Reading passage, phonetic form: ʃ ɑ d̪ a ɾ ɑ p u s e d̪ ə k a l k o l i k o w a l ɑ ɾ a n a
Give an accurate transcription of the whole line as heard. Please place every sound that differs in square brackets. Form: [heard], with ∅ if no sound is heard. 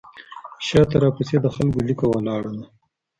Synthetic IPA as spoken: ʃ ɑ [t̪] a ɾ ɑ p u s e d̪ ə [x] a l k o l i k o w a l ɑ [ɽ] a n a